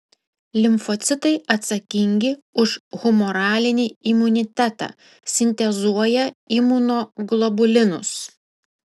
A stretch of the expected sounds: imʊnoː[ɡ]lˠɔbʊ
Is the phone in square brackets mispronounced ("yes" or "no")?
no